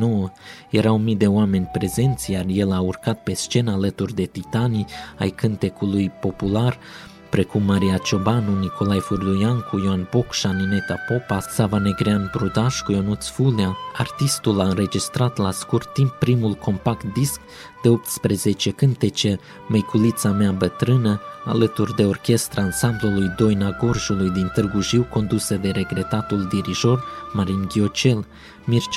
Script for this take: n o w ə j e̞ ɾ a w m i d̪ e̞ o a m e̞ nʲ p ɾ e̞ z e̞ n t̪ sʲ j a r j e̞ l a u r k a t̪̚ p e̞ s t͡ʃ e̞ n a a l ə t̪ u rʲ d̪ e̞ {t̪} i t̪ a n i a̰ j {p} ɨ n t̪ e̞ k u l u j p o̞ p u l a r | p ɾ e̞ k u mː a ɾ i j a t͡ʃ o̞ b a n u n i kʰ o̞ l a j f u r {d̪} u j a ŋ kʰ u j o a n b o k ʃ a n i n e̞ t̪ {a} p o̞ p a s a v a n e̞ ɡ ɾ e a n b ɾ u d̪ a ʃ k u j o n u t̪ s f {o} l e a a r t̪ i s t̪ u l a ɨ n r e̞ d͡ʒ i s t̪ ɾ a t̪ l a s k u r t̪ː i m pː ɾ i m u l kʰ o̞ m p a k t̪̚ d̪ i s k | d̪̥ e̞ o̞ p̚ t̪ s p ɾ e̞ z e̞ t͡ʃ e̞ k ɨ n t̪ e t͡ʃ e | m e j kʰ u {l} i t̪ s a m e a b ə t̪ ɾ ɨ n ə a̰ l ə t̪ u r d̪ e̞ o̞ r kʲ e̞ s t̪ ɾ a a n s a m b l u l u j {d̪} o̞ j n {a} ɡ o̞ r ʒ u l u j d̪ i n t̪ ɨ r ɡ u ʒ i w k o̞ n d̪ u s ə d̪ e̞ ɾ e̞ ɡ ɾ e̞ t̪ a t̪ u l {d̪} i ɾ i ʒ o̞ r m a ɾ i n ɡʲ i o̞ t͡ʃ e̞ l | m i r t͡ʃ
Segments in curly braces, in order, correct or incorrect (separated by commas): correct, incorrect, correct, correct, incorrect, correct, correct, correct, correct